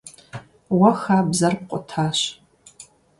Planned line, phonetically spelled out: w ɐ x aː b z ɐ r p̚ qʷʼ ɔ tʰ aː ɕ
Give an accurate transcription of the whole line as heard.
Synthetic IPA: w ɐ x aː b z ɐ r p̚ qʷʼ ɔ tʰ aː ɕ